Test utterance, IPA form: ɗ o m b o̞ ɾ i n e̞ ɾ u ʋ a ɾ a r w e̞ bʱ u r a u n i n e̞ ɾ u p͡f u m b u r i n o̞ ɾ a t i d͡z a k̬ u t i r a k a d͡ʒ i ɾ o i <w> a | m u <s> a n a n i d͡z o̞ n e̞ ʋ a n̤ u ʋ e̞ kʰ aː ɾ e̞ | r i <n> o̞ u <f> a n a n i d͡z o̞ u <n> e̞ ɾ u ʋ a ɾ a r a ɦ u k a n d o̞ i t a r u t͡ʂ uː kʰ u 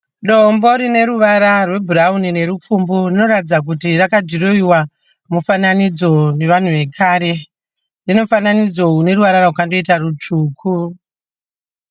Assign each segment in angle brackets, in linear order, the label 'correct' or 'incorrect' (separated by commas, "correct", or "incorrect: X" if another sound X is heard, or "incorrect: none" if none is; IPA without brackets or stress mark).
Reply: correct, incorrect: f, correct, correct, correct